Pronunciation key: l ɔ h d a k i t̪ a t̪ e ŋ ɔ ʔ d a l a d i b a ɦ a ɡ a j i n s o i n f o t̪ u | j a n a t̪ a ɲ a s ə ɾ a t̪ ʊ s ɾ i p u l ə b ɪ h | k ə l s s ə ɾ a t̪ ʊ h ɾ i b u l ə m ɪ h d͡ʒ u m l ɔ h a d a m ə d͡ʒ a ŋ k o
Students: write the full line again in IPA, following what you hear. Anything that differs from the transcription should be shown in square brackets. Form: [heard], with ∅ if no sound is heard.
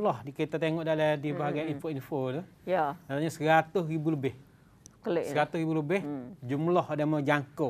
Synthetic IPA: l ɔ h d [i] k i t̪ a t̪ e ŋ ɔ ʔ d a l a d i b a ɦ a ɡ a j i n [f] o i n f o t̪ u | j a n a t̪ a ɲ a s ə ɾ a t̪ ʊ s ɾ i [b] u l ə b ɪ h | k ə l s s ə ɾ a t̪ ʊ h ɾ i b u l ə [b] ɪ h d͡ʒ u m l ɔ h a d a m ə d͡ʒ a ŋ k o

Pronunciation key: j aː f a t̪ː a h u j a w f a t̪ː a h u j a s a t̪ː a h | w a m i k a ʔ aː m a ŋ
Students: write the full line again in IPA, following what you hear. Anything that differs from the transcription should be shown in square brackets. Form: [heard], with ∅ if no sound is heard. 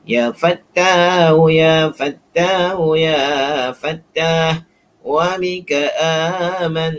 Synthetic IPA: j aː f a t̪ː a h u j a [∅] f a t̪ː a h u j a [f] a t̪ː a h | w a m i k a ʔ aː m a [n]

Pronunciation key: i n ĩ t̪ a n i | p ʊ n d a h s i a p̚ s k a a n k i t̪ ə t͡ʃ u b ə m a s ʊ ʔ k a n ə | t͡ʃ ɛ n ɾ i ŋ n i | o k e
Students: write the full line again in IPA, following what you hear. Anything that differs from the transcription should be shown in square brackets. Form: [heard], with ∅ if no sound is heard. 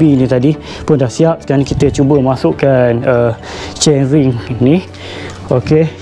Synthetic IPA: i n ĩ t̪ a [d] i | p ʊ n d a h s i a p̚ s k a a n k i t̪ ə t͡ʃ u b ə m a s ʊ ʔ k a n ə | t͡ʃ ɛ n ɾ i ŋ n i | o k e

